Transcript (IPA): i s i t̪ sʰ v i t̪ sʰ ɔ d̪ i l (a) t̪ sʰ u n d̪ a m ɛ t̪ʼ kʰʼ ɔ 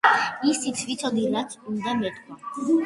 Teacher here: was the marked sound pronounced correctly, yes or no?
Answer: yes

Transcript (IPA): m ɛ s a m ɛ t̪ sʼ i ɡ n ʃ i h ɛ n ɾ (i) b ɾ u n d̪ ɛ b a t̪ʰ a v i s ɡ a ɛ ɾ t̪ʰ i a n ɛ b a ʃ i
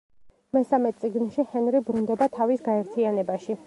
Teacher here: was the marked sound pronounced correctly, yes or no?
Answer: yes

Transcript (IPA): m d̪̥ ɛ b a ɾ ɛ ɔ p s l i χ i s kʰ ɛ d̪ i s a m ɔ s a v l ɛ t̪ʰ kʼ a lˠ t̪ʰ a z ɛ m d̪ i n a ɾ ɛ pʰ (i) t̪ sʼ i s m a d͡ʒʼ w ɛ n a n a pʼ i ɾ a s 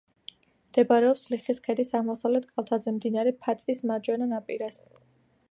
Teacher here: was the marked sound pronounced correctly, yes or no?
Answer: no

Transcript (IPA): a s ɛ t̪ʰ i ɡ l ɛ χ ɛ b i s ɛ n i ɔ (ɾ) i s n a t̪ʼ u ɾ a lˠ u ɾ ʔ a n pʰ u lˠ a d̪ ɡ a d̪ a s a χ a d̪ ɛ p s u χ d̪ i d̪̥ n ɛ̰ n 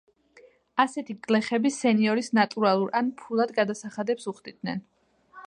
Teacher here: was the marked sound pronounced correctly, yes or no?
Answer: yes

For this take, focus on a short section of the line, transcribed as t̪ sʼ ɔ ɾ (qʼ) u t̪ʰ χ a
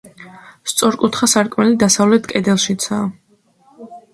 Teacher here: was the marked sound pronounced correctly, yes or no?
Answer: no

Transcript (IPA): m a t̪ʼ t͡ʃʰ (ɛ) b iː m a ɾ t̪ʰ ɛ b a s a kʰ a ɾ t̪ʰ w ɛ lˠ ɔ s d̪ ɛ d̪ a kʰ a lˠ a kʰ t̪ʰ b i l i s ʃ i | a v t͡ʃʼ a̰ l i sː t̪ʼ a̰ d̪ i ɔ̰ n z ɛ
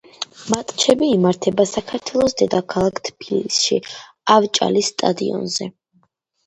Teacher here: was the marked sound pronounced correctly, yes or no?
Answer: yes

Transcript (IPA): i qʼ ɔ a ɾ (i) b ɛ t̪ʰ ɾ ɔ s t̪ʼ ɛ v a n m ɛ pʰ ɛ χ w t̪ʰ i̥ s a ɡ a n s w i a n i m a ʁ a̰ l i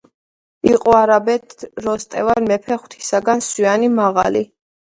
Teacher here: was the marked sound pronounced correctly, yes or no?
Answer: no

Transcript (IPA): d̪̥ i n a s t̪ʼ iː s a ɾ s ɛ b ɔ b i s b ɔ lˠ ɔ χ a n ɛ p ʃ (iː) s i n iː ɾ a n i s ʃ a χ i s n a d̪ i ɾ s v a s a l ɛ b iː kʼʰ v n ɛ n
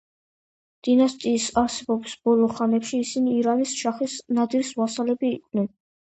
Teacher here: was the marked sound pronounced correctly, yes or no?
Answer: yes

